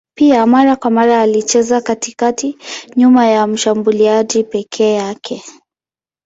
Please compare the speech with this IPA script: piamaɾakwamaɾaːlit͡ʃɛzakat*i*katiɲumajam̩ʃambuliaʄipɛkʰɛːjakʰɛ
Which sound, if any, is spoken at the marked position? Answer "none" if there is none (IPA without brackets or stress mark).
i